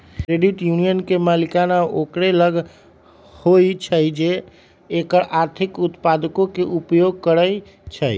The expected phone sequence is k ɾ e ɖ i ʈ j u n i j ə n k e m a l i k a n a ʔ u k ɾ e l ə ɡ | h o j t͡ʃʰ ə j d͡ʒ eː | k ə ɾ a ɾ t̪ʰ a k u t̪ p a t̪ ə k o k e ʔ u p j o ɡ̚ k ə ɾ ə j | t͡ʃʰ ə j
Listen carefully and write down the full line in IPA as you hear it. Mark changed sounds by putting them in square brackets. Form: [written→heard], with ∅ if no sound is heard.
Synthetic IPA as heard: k ɾ e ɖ i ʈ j u n i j ə n k e m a l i k a n a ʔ [u→o] k ɾ e l ə ɡ | h o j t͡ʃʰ ə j d͡ʒ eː | k ə ɾ a ɾ t̪ʰ [a→i] k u t̪ p a [t̪→d̪] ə k o k e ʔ u p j o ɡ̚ k ə ɾ ə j | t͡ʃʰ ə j

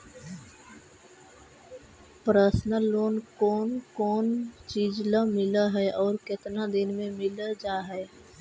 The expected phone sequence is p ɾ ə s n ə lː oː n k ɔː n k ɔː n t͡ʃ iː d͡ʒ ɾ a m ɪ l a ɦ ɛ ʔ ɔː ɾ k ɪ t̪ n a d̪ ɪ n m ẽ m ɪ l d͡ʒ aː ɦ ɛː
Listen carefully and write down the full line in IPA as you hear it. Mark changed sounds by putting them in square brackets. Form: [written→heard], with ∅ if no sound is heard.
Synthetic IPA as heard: p ɾ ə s n ə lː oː n k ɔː n k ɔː n t͡ʃ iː d͡ʒ [ɾ→l] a m ɪ l a ɦ ɛ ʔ ɔː ɾ k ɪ t̪ n a d̪ ɪ n m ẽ m ɪ l d͡ʒ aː ɦ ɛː

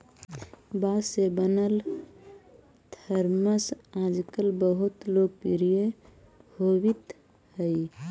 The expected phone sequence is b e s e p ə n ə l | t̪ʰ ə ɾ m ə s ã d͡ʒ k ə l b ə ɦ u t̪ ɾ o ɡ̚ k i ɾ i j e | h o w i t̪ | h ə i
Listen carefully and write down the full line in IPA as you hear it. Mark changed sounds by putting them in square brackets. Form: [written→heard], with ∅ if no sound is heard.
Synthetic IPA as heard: b [e→a] s e [p→b] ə n ə l | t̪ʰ ə ɾ m ə s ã d͡ʒ k ə l b ə ɦ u t̪ [ɾ→l] o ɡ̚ [k→p] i ɾ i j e | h o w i t̪ | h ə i

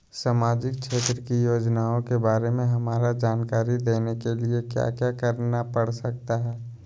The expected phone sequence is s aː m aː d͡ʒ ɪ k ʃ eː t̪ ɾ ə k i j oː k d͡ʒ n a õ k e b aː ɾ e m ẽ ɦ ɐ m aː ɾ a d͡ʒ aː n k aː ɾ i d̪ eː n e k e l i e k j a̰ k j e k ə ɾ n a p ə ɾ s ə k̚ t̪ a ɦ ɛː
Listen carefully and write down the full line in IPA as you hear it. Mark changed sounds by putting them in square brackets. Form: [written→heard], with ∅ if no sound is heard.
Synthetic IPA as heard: s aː m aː d͡ʒ ɪ k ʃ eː t̪ ɾ ə k i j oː [k→∅] d͡ʒ n a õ k e b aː ɾ e m ẽ ɦ ɐ m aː ɾ a d͡ʒ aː n k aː ɾ i d̪ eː n e k e l i e k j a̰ k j [e→a] k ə ɾ n a p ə [ɾ→ɽ] s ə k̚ t̪ a ɦ ɛː

